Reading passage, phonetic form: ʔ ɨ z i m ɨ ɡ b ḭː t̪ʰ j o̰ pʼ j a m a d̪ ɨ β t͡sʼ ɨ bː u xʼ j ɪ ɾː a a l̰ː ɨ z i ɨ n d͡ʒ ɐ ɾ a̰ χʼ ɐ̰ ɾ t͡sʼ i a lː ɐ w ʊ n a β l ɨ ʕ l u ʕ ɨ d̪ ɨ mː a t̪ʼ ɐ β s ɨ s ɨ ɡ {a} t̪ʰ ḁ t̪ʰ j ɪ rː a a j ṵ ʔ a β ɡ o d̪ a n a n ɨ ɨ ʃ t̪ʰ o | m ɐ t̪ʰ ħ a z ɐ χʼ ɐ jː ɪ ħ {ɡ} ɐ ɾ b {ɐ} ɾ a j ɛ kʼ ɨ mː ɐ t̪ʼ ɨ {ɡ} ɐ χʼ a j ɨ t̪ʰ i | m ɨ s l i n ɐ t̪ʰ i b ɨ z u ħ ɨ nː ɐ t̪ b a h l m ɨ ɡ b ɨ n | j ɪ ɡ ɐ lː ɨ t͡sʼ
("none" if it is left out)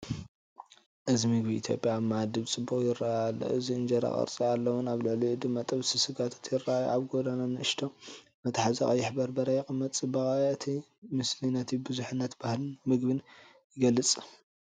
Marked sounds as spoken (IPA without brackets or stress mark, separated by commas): a, b, ɐ, b